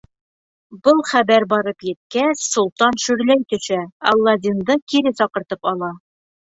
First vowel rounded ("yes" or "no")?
no